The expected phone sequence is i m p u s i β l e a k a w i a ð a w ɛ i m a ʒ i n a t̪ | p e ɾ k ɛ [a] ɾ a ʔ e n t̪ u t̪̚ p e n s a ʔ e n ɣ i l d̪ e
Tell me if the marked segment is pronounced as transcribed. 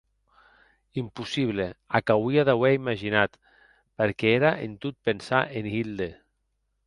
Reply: no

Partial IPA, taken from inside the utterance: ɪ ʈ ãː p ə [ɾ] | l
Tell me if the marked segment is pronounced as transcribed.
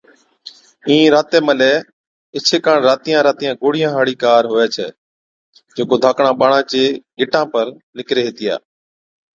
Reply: yes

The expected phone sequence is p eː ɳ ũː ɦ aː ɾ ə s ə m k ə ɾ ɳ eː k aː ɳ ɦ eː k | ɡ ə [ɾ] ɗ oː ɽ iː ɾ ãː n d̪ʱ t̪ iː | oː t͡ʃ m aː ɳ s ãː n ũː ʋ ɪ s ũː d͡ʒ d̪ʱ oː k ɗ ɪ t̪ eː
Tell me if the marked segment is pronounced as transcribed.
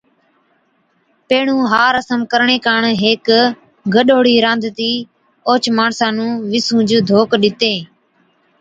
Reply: no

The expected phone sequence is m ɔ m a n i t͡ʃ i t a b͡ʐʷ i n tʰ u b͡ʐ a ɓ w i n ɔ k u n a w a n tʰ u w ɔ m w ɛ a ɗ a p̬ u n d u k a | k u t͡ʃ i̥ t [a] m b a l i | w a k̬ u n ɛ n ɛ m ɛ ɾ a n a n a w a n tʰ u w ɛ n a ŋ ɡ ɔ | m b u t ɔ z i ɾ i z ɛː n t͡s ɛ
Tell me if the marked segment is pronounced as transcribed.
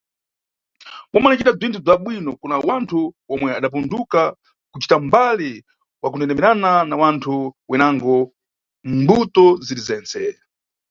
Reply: yes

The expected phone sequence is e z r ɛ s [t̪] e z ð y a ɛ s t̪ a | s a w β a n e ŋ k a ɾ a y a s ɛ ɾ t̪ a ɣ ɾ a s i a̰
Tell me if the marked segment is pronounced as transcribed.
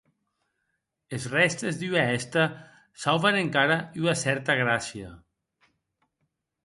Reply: yes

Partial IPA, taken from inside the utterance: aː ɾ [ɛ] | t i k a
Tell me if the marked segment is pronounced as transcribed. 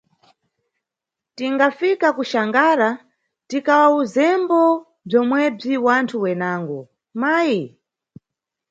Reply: no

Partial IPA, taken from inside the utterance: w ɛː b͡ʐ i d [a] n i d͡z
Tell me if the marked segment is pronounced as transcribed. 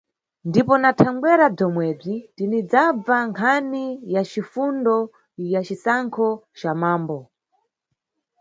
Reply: no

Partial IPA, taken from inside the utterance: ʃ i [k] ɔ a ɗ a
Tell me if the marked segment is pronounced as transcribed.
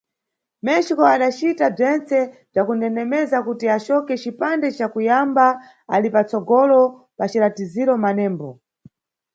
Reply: yes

